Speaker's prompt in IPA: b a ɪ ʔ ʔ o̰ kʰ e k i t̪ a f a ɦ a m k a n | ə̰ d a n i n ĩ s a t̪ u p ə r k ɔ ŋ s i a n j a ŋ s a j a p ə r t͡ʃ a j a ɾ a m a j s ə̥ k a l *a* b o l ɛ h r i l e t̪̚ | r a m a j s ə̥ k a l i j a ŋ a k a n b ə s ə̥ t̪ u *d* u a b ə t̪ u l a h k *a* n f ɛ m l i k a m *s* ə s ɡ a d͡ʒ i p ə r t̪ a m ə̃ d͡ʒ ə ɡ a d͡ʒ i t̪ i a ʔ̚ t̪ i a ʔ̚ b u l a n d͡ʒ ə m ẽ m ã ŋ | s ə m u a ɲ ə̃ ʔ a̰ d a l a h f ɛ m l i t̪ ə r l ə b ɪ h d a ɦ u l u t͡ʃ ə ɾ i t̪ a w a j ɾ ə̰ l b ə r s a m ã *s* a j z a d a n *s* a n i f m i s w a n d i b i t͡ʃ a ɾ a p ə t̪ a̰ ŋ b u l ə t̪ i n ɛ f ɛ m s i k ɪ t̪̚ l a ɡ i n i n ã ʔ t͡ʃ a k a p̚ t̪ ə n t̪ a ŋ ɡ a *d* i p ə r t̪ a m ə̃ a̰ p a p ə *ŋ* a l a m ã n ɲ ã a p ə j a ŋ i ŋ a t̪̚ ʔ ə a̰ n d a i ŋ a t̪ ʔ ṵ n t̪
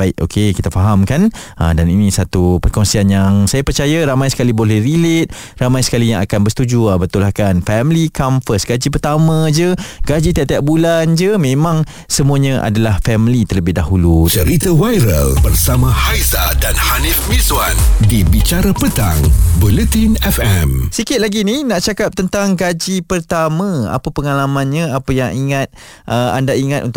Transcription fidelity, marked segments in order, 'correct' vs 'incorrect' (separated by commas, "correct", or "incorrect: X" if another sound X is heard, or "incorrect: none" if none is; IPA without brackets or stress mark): incorrect: i, incorrect: d͡ʒ, correct, incorrect: f, incorrect: h, incorrect: h, incorrect: d͡ʒ, correct